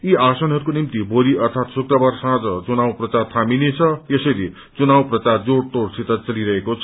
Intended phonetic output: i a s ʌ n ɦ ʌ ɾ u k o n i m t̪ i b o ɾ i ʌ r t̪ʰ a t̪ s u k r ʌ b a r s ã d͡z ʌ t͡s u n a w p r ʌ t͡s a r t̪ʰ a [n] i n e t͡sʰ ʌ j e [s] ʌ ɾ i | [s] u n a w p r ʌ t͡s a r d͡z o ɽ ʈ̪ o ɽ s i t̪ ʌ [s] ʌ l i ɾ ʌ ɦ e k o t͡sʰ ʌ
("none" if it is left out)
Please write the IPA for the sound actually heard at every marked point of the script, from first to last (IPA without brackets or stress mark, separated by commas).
m, s, t͡s, t͡s